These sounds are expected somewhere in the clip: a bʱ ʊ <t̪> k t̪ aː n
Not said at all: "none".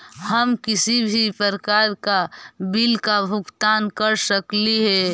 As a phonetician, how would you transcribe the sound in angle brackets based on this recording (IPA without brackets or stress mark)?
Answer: none